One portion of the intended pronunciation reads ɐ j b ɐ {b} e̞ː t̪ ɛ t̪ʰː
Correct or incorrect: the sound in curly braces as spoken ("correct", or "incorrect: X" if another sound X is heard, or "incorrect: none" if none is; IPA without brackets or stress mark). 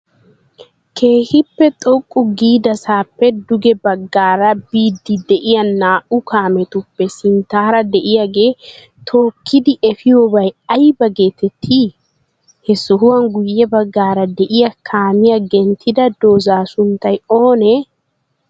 incorrect: ɡ